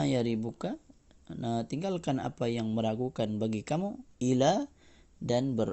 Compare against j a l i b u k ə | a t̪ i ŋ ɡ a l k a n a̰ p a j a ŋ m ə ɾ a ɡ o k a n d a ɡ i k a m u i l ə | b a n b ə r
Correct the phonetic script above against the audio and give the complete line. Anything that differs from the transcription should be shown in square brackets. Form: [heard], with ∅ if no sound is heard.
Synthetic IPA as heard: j a [ɾ] i b u k [a] | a t̪ i ŋ ɡ a l k a n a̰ p a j a ŋ m ə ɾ a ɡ [u] k a n [b] a ɡ i k a m u i l [a] | [d] a n b ə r